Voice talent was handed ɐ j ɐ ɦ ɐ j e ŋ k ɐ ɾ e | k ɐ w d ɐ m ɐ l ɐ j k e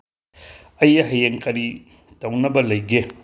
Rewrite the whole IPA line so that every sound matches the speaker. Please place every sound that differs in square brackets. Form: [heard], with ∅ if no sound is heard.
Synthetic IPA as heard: ɐ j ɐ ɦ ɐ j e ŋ k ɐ ɾ [i] | [t] ɐ w [n] ɐ [b] ɐ l ɐ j [ɡ] e